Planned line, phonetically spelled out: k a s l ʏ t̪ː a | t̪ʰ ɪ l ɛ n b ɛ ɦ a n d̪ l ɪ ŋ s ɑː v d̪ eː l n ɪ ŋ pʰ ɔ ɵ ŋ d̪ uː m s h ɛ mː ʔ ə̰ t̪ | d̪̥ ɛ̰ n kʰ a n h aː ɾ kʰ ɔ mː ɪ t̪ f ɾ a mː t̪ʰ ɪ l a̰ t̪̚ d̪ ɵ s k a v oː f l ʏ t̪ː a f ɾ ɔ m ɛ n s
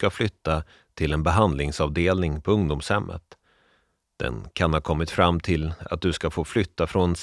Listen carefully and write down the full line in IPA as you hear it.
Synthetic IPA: k a f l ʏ t̪ː a | t̪ʰ ɪ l ɛ n b ɛ ɦ a n d̪ l ɪ ŋ s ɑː v d̪ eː l n ɪ ŋ pʰ ɔ ɵ ŋ d̪ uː m s h ɛ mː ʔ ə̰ t̪ | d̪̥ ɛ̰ n kʰ a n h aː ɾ kʰ ɔ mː ɪ t̪ f ɾ a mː t̪ʰ ɪ l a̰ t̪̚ d̪ ɵ s k a f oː f l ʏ t̪ː a f ɾ ɔ n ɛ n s